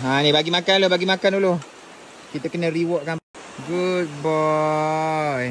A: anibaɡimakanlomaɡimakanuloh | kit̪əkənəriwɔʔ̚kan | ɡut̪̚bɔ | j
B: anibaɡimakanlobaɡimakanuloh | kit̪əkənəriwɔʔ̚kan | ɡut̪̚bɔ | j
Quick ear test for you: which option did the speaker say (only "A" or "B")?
B